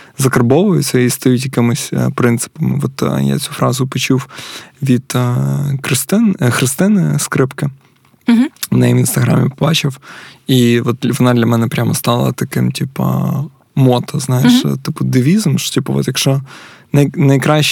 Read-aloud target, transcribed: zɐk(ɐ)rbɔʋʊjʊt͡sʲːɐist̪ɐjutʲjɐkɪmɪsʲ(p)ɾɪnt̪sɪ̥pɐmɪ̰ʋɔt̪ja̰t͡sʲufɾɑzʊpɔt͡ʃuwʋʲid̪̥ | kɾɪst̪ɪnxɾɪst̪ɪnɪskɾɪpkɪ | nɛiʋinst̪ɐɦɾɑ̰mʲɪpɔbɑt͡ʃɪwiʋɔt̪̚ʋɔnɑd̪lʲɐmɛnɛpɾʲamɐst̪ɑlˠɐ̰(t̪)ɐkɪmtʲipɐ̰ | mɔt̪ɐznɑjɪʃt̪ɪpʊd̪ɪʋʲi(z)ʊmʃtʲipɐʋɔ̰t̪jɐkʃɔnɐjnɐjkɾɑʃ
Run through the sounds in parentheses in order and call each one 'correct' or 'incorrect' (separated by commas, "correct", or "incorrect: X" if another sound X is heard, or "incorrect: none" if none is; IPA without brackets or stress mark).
correct, correct, correct, correct